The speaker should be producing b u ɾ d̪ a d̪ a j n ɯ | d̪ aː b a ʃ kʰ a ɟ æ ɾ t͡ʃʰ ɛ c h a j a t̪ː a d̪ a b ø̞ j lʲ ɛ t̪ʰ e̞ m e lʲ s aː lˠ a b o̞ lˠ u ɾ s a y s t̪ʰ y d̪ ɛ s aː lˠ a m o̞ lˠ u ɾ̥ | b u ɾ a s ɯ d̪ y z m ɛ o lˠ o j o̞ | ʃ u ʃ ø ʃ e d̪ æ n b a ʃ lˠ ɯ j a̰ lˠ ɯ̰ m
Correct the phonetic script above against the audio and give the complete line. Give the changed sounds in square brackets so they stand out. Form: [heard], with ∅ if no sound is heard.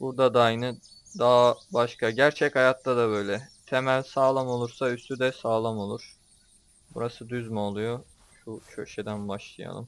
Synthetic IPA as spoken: b u ɾ d̪ a d̪ a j n ɯ | d̪ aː b a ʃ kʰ a ɟ æ ɾ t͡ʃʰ ɛ c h a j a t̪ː a d̪ a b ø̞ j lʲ ɛ t̪ʰ e̞ m [æ] lʲ s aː lˠ a [m] o̞ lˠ u ɾ s a y s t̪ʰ y d̪ ɛ s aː lˠ a m o̞ lˠ u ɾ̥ | b u ɾ a s ɯ d̪ y z m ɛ o lˠ [u] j o̞ | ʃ u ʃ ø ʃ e d̪ æ n b a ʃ lˠ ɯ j a̰ lˠ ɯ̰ m